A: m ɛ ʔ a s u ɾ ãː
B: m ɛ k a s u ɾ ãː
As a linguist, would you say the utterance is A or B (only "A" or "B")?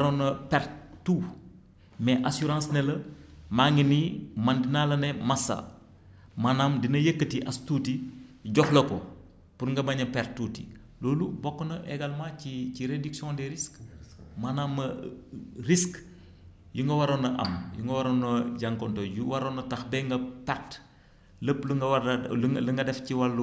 A